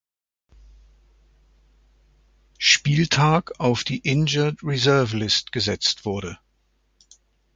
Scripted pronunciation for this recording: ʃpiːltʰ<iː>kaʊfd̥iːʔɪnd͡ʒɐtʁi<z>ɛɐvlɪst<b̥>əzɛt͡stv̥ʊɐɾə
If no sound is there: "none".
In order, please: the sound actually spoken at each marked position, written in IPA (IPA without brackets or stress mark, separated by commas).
aː, z, ɡ̥